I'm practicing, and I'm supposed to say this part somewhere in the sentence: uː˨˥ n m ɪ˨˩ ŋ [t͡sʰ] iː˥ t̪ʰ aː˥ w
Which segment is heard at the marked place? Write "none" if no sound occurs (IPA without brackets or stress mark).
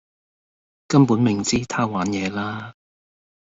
t͡s